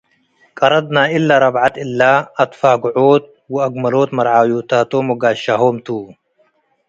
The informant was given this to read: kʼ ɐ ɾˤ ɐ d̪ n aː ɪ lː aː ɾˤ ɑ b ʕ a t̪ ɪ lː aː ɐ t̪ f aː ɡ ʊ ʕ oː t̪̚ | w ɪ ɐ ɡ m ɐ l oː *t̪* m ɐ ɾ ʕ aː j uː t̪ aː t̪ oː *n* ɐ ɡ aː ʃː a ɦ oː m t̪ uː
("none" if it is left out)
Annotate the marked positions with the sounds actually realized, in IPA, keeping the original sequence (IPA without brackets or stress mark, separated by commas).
t̪, m